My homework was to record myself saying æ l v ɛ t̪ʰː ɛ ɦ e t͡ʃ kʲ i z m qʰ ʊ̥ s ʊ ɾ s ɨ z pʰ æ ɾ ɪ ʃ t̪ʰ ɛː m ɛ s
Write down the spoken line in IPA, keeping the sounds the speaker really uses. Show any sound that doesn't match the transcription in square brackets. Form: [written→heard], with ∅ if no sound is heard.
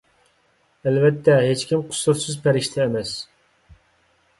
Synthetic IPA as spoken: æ l v ɛ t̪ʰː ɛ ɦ e t͡ʃ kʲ i [z→∅] m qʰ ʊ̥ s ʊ ɾ s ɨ z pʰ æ ɾ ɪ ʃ t̪ʰ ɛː m ɛ s

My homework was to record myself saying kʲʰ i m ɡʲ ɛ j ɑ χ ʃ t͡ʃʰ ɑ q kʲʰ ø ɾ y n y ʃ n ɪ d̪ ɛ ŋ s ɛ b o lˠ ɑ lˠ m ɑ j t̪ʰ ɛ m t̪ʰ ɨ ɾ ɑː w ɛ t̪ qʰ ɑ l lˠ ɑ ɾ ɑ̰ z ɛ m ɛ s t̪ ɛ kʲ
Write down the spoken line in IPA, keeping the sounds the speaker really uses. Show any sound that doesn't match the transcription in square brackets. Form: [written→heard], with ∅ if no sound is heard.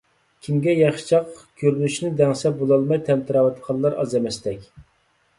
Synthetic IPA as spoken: kʲʰ i m ɡʲ ɛ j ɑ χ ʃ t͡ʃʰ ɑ q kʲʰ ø ɾ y n y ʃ n ɪ d̪ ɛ ŋ s ɛ b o lˠ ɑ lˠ m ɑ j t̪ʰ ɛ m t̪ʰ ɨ ɾ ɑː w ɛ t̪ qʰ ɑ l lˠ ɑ ɾ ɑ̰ z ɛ m ɛ s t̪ ɛ kʲ

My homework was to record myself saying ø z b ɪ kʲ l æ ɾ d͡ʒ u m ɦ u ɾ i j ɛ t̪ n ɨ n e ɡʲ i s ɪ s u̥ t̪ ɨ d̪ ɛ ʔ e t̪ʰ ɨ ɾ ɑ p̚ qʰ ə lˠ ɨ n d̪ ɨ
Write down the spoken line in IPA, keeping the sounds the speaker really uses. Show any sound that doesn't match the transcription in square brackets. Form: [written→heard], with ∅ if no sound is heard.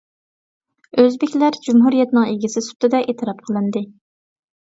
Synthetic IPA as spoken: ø z b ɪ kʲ l æ ɾ d͡ʒ u m ɦ u ɾ i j ɛ t̪ n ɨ [n→ŋ] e ɡʲ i s ɪ s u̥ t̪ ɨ d̪ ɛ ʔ e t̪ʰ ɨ ɾ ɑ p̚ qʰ ə lˠ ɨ n d̪ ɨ

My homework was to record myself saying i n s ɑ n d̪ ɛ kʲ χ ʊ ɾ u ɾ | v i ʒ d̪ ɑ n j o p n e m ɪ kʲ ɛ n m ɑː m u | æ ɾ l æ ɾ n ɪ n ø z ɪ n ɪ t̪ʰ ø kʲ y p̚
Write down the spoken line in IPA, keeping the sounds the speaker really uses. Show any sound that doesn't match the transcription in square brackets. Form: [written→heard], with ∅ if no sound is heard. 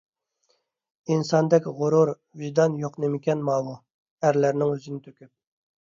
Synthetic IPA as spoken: i n s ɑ n d̪ ɛ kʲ [χ→ʁ] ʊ ɾ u ɾ | v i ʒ d̪ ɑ n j o [p→q] n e m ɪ kʲ ɛ n m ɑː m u | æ ɾ l æ ɾ n ɪ [n→ŋ] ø z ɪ n ɪ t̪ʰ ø kʲ y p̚

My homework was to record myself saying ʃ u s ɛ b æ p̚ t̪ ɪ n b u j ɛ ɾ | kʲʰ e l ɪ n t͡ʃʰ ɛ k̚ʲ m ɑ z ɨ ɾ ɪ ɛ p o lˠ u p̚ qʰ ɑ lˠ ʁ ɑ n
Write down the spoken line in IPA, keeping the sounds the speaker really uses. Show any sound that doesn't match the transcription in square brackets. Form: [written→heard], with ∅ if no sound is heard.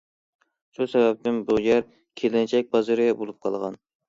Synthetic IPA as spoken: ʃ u s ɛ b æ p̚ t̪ ɪ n b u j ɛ ɾ | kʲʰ e l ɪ n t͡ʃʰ ɛ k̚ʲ [m→b] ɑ z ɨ ɾ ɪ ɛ [p→b] o lˠ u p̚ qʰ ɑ lˠ ʁ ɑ n

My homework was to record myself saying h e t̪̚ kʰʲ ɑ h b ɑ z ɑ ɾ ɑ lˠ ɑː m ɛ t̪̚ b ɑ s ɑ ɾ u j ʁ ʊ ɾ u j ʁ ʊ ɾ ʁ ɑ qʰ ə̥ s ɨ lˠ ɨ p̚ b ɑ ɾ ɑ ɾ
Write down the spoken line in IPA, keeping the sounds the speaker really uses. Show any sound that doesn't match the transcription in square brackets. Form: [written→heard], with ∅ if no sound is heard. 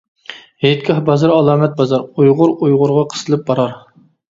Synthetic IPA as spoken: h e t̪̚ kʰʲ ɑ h b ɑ z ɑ ɾ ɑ lˠ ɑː m ɛ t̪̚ b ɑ [s→z] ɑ ɾ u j ʁ ʊ ɾ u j ʁ ʊ ɾ ʁ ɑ qʰ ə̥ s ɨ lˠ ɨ p̚ b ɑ ɾ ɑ ɾ

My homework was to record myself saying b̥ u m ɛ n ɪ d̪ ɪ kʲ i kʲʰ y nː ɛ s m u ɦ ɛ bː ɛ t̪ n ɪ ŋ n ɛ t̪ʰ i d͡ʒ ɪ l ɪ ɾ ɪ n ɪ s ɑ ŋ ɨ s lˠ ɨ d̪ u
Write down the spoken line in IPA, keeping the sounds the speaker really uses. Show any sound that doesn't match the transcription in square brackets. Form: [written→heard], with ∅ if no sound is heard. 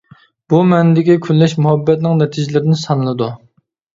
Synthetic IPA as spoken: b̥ u m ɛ n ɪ d̪ ɪ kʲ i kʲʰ y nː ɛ [s→ʃ] m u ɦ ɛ bː ɛ t̪ n ɪ ŋ n ɛ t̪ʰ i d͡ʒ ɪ l ɪ ɾ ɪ n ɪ s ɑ [ŋ→n] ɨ [s→∅] lˠ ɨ d̪ u

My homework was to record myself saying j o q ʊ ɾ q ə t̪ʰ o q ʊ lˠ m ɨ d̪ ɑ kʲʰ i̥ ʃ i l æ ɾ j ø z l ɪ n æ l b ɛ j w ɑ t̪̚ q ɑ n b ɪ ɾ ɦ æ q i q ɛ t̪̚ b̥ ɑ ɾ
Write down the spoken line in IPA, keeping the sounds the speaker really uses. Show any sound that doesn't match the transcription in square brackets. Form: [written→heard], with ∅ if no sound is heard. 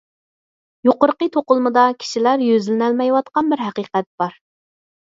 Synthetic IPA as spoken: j o q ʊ ɾ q ə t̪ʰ o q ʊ lˠ m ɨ d̪ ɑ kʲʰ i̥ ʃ i l æ ɾ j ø z l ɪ n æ l [b→m] ɛ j w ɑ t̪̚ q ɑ n b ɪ ɾ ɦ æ q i q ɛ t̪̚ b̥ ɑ ɾ

